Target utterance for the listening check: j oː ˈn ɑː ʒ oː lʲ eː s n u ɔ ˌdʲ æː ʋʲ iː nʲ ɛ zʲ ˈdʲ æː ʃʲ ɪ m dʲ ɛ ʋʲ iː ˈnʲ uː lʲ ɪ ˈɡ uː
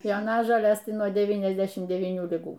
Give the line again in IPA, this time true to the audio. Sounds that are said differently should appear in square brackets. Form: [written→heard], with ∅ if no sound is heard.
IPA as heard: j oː ˈn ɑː ʒ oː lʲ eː s n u ɔ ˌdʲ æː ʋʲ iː nʲ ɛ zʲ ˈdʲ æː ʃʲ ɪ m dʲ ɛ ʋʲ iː ˈnʲ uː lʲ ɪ ˈɡ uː